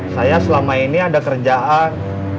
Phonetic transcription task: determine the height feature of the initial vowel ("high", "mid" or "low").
low